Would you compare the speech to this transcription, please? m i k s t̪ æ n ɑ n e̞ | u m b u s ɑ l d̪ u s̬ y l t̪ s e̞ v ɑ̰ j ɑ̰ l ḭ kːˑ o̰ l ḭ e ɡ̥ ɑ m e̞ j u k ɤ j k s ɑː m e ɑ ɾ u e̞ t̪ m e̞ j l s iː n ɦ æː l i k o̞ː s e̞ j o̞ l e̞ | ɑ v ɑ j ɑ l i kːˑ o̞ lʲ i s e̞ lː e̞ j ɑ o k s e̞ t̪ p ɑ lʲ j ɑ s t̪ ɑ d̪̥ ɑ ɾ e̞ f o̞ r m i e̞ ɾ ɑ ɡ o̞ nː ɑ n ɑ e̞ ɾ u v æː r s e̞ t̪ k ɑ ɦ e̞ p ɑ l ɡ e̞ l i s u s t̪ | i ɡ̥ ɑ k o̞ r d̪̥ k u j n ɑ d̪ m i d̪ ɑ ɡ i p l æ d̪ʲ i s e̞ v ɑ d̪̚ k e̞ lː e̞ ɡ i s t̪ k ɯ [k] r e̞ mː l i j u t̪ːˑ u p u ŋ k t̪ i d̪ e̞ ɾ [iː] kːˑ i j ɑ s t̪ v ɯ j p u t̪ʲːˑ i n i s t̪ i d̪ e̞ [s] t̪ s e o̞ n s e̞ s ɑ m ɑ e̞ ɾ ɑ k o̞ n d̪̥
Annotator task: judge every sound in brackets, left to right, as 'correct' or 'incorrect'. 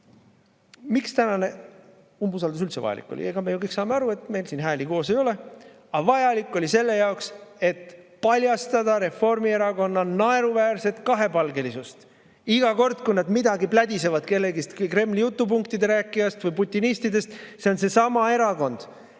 correct, incorrect, correct

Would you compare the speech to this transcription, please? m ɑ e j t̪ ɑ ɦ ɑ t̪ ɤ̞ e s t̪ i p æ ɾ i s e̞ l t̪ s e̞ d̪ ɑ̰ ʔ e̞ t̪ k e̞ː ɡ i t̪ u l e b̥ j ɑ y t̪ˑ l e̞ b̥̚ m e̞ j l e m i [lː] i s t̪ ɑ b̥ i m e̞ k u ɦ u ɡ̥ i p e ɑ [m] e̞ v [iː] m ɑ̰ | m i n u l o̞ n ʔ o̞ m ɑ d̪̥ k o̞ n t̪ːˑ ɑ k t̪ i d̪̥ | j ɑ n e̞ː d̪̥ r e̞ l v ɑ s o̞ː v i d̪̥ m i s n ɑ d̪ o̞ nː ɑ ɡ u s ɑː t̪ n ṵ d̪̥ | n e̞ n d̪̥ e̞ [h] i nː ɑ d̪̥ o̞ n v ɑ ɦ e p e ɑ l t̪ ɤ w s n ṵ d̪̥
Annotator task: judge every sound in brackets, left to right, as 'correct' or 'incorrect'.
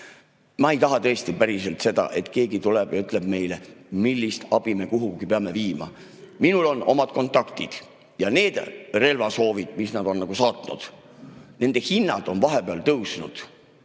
correct, correct, correct, correct

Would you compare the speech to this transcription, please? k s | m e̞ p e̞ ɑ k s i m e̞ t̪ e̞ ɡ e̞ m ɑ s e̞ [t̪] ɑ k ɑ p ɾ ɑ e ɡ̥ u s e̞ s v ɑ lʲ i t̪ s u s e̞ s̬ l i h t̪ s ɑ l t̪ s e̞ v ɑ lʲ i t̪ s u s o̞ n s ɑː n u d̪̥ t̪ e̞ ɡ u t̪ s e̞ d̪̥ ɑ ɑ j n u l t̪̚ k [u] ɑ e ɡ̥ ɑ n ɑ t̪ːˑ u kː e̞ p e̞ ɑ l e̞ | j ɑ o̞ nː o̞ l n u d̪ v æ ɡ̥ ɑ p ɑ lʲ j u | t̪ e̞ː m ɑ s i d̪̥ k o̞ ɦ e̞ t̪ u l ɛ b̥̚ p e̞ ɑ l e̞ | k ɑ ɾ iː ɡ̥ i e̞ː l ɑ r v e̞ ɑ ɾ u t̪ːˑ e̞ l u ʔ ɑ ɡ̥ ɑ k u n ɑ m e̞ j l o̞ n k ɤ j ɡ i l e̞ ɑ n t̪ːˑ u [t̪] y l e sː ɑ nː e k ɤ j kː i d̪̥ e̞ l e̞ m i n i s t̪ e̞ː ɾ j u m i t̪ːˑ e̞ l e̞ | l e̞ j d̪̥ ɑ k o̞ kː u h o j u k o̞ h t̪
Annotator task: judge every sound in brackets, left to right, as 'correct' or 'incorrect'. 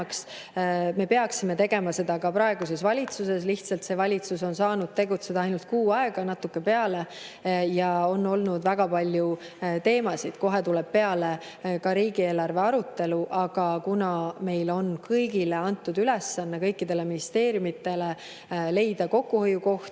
incorrect, incorrect, incorrect

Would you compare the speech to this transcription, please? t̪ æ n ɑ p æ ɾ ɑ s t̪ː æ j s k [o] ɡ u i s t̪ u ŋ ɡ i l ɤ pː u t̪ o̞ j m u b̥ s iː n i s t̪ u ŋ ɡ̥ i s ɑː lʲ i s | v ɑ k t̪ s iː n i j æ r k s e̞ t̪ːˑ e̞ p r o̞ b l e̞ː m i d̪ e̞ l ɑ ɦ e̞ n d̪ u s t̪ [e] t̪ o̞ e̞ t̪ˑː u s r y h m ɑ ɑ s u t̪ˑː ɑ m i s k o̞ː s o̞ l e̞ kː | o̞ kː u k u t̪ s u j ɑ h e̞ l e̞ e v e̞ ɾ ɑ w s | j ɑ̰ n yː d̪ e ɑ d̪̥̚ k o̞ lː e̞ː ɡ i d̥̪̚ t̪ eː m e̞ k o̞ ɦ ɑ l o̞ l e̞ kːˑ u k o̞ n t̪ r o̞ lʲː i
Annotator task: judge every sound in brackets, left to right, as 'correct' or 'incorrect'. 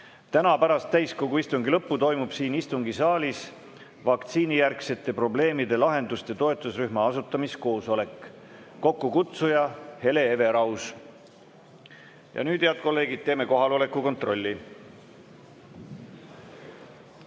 correct, correct

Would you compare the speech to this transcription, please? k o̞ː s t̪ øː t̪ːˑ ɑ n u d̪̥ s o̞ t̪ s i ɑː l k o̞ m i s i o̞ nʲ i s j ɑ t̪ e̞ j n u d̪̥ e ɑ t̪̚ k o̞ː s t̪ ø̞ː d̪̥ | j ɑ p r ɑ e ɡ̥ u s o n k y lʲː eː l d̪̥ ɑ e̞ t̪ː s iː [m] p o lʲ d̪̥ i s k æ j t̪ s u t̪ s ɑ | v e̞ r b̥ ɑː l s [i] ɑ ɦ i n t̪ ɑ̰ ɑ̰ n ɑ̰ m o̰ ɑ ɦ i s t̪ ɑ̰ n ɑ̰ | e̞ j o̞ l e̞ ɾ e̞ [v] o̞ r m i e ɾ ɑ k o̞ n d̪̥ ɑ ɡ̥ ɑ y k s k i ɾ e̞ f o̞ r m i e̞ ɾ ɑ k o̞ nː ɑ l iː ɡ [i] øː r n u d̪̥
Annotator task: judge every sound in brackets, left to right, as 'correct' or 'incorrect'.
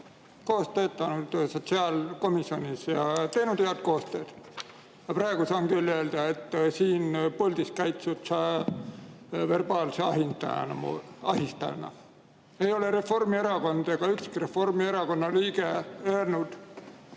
incorrect, incorrect, incorrect, incorrect

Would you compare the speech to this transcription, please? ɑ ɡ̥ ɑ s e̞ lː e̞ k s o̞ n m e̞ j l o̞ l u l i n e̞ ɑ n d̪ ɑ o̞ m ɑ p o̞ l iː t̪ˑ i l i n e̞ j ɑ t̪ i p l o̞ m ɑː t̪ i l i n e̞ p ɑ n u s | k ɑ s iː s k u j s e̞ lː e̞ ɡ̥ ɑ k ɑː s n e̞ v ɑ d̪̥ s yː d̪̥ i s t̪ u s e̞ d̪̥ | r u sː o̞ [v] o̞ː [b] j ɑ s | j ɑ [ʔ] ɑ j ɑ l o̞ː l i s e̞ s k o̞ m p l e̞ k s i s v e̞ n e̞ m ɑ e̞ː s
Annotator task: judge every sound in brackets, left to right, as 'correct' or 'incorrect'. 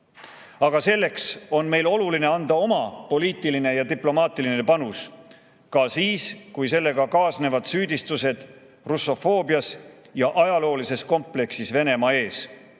incorrect, correct, correct

